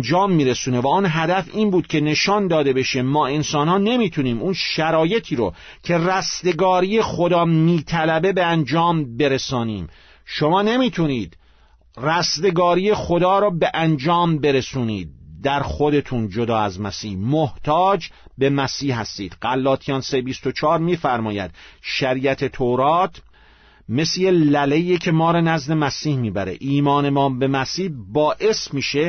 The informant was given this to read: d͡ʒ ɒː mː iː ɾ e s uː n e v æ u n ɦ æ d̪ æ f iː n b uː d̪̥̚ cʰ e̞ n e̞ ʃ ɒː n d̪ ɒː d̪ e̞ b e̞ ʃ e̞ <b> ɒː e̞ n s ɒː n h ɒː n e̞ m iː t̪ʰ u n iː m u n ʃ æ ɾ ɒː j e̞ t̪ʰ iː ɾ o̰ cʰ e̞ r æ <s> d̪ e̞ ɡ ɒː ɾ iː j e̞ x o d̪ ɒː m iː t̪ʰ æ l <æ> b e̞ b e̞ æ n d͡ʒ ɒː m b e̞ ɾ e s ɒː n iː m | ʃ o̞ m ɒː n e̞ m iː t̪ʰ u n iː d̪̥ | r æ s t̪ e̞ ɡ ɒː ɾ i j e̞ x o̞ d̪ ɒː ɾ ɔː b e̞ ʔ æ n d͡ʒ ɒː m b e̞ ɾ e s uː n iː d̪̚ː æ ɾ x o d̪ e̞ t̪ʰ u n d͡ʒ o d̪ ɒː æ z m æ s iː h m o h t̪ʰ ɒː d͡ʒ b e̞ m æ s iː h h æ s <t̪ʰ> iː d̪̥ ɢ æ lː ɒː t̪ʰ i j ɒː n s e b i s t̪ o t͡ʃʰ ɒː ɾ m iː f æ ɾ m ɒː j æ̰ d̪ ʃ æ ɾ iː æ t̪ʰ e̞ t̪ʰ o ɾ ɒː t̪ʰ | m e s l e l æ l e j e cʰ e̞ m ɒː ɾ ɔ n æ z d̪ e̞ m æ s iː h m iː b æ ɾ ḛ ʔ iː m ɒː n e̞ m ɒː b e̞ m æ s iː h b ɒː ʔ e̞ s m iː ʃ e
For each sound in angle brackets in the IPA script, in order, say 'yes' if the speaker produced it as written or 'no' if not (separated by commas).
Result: no, yes, yes, no